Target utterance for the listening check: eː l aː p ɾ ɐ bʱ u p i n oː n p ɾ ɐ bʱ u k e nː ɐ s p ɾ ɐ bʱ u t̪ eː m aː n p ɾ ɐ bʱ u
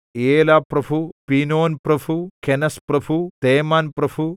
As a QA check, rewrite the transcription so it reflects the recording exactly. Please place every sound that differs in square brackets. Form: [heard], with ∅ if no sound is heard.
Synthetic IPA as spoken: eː l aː p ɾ ɐ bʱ u p i n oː n p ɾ ɐ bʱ u k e [n] ɐ s p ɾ ɐ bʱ u t̪ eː m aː n p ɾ ɐ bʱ u